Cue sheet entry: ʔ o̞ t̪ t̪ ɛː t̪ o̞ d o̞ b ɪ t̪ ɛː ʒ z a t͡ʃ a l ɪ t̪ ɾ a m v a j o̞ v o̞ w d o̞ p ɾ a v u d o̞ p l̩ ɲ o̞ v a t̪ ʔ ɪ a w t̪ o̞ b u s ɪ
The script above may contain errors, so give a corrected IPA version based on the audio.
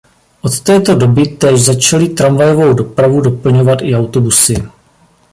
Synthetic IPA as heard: ʔ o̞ t̪ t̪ ɛː t̪ o̞ d o̞ b ɪ t̪ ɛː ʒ z a t͡ʃ a l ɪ t̪ ɾ a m v a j o̞ v o̞ w d o̞ p ɾ a v u d o̞ p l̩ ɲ o̞ v a t̪ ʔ ɪ a w t̪ o̞ b u s ɪ

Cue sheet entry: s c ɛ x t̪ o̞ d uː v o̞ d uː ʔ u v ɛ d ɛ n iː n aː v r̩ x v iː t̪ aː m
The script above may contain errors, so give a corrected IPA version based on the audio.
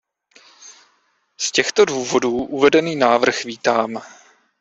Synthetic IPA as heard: s c ɛ x t̪ o̞ d uː v o̞ d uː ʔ u v ɛ d ɛ n iː n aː v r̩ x v iː t̪ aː m

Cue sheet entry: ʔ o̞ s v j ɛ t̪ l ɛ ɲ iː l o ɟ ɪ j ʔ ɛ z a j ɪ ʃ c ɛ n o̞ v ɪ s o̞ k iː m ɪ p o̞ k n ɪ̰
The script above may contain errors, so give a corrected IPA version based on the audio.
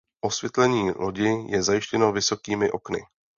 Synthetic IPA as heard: ʔ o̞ s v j ɛ t̪ l ɛ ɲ iː l o ɟ ɪ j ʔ ɛ z a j ɪ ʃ c ɛ n o̞ v ɪ s o̞ k iː m ɪ ʔ o̞ k n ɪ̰

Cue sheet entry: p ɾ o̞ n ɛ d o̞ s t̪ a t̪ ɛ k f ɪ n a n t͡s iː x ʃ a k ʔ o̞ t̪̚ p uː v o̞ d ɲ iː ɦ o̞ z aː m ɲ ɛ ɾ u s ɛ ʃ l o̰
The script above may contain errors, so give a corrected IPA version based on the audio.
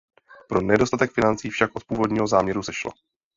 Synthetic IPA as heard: p ɾ o̞ n ɛ d o̞ s t̪ a t̪ ɛ k f ɪ n a n t͡s iː f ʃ a k ʔ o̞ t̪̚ p uː v o̞ d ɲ iː ɦ o̞ z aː m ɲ ɛ ɾ u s ɛ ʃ l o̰

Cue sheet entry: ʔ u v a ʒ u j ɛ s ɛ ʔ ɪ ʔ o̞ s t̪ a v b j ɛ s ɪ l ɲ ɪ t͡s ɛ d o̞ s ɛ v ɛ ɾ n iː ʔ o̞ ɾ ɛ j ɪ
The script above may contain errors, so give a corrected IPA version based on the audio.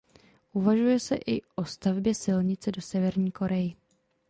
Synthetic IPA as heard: ʔ u v a ʒ u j ɛ s ɛ ʔ ɪ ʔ o̞ s t̪ a v b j ɛ s ɪ l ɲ ɪ t͡s ɛ d o̞ s ɛ v ɛ ɾ ɲ iː k o̞ ɾ ɛ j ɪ

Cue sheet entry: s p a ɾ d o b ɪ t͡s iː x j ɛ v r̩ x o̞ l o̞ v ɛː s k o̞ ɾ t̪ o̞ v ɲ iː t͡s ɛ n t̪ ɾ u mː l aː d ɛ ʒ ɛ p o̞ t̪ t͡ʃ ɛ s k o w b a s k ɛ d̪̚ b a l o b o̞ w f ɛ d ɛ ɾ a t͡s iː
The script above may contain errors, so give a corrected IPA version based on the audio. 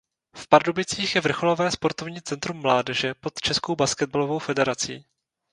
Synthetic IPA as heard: f p a ɾ d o b ɪ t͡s iː x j ɛ v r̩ x o̞ l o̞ v ɛː s p o̞ ɾ t̪ o̞ v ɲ iː t͡s ɛ n t̪ ɾ u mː l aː d ɛ ʒ ɛ p o̞ t̪ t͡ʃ ɛ s k o w b a s k ɛ d̪̚ b a l o v o̞ w f ɛ d ɛ ɾ a t͡s iː

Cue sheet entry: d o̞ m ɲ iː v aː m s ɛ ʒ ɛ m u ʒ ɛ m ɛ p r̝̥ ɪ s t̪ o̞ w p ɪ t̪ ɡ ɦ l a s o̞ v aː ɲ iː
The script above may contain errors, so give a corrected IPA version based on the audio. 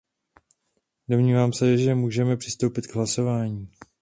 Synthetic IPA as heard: d o̞ m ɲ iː v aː m s ɛ ʒ ɛ m uː ʒ ɛ m ɛ p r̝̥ ɪ s t̪ o̞ w p ɪ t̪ ɡ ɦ l a s o̞ v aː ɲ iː

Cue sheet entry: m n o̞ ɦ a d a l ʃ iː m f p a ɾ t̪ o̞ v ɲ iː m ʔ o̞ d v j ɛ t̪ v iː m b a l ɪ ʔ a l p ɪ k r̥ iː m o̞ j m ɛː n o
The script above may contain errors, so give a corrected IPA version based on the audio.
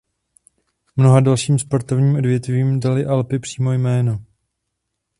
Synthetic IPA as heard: m n o̞ ɦ a d a l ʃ iː m s p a ɾ t̪ o̞ v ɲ iː m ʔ o̞ d v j ɛ t̪ v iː m d a l ɪ ʔ a l p ɪ p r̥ iː m o̞ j m ɛː n o

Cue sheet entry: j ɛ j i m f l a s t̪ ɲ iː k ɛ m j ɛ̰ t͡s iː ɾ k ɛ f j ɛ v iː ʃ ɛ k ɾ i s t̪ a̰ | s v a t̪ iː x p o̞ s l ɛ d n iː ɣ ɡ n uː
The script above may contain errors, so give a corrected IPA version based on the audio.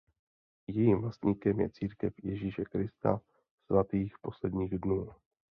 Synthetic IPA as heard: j ɛ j i m v l a s t̪ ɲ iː k ɛ m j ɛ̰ t͡s iː ɾ k ɛ f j ɛ ʒ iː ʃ ɛ k ɾ ɪ s t̪ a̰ | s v a t̪ iː x p o̞ s l ɛ d ɲ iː ɣ d n uː

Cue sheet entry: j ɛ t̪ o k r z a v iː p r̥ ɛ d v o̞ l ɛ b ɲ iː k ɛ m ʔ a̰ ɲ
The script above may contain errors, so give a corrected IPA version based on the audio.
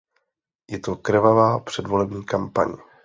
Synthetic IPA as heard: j ɛ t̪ o k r v a v aː p r̥ ɛ d v o̞ l ɛ b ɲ iː k a m p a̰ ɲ

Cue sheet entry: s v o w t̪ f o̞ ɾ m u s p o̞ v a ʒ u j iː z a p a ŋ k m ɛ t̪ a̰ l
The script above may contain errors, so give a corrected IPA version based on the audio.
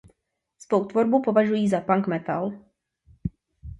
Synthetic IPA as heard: s v o w t̪ v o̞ ɾ b u p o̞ v a ʒ u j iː z a p a ŋ k m ɛ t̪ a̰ l

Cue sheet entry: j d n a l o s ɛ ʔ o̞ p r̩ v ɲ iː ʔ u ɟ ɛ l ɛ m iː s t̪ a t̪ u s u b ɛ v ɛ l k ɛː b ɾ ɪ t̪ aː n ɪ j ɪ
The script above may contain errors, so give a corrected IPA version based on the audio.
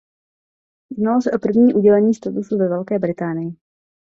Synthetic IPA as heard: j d n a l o s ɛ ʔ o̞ p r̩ v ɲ iː ʔ u ɟ ɛ l ɛ ɲ iː s t̪ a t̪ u s u v ɛ v ɛ l k ɛː b ɾ ɪ t̪ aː n ɪ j ɪ

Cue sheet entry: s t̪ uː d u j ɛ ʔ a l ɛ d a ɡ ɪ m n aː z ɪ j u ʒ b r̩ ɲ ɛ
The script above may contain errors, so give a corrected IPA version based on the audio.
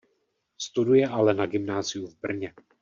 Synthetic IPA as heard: s t̪ u d u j ɛ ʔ a l ɛ n a ɡ ɪ m n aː z ɪ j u v b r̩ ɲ ɛ

